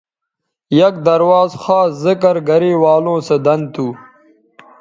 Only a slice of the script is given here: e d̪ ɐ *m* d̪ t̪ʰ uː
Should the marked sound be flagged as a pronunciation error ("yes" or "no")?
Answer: yes